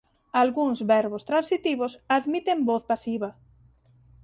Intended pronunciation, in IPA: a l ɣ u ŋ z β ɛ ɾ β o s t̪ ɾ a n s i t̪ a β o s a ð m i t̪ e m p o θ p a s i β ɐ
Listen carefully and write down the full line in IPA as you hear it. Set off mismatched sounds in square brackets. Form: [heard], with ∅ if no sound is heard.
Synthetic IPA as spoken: a l ɣ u ŋ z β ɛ ɾ β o s t̪ ɾ a n s i t̪ [i] β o s a ð m i t̪ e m [b] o θ p a s i β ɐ